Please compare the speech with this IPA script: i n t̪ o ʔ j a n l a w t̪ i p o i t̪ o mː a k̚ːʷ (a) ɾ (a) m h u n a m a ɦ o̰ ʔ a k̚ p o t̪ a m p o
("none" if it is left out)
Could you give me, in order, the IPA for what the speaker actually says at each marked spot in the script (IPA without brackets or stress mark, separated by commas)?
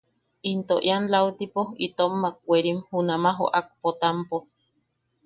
e, i